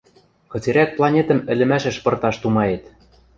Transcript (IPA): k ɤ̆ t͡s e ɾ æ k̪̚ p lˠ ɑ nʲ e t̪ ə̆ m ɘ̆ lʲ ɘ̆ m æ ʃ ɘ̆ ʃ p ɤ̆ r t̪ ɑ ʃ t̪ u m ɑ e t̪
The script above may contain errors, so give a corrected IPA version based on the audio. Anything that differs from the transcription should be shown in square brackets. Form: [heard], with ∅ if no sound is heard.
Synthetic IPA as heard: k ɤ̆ t͡s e ɾ æ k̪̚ p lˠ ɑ nʲ e t̪ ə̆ m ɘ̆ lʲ ɘ̆ m æ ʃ ɘ̆ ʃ p ɤ̆ r t̪ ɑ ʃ t̪ u m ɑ e t̪